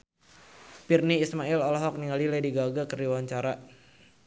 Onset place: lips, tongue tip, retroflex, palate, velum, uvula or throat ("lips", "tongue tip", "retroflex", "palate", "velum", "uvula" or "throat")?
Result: lips